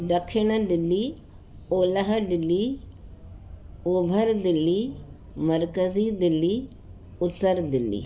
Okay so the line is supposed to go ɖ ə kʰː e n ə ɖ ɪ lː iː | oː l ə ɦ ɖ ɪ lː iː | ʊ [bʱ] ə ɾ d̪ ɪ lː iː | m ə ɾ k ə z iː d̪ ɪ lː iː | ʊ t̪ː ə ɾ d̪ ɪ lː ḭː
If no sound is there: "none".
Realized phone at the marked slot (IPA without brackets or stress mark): bʱ